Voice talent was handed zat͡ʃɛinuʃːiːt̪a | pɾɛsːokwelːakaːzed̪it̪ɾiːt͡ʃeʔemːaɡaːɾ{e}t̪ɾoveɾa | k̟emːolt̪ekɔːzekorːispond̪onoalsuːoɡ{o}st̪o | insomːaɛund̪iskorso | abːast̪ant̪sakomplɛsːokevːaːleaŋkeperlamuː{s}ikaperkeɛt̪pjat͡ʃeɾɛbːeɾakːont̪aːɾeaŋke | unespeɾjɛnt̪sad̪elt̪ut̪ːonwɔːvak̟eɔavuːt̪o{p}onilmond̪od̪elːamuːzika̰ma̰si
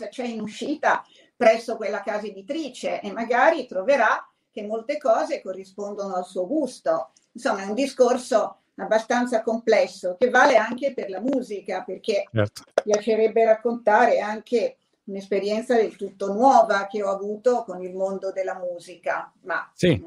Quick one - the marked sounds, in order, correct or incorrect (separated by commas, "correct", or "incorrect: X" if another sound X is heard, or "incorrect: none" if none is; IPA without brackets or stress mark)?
incorrect: i, incorrect: u, incorrect: z, incorrect: k